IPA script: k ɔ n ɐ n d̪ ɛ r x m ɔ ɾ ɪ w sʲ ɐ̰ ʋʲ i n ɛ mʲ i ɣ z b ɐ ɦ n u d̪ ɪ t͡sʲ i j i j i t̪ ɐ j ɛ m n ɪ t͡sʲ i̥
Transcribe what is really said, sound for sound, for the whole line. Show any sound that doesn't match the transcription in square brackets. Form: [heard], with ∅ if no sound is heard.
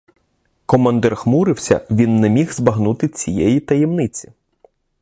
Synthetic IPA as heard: k ɔ [m] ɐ n d̪ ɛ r x m [u] ɾ ɪ w sʲ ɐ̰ ʋʲ i [nː] ɛ mʲ i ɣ z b ɐ ɦ n u [t̪] ɪ t͡sʲ i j [ɛ] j i t̪ ɐ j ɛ m n ɪ t͡sʲ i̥